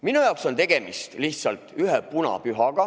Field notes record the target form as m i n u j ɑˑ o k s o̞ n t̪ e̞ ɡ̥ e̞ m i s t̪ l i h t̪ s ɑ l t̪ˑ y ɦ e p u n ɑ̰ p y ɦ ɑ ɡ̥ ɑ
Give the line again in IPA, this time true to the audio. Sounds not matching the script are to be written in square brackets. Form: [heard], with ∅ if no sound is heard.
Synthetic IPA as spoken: m i n u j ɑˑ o k s o̞ n t̪ e̞ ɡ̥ e̞ m i s t̪ l i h t̪ s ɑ l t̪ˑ y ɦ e p u n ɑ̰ p y ɦ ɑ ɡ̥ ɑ